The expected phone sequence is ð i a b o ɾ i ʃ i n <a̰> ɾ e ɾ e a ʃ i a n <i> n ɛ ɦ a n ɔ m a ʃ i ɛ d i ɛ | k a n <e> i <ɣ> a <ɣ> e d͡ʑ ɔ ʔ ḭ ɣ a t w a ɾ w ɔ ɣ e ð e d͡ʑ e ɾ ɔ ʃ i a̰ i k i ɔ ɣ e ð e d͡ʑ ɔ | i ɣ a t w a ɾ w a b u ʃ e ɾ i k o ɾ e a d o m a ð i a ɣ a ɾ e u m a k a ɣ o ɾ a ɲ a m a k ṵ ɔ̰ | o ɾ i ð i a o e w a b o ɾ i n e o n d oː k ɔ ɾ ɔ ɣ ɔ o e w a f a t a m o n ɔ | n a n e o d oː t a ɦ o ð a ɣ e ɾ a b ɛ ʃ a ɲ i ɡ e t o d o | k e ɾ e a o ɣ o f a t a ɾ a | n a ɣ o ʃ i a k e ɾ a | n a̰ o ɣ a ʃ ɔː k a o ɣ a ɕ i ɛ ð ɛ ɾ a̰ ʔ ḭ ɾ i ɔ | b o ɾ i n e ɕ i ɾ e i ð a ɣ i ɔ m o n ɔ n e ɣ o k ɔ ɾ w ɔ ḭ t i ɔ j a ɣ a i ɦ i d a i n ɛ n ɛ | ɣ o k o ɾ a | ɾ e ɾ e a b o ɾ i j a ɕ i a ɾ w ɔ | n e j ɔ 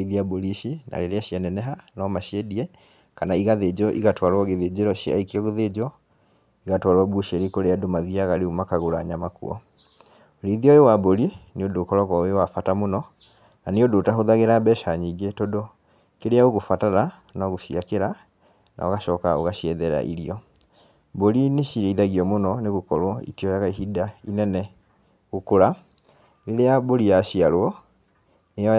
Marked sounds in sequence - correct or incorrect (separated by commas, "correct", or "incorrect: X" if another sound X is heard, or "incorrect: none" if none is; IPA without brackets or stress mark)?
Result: correct, incorrect: ɛ, incorrect: a, correct, incorrect: ð